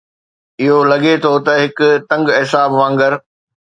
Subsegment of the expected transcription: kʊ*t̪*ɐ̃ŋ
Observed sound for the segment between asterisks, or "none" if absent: t̪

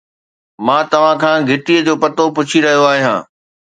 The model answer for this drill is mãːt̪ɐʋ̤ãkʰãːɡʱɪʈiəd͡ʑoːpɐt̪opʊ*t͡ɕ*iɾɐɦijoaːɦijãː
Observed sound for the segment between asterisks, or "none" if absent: t͡ɕʰ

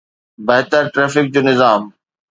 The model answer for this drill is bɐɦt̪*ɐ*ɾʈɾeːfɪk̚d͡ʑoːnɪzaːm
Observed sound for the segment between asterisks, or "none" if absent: ə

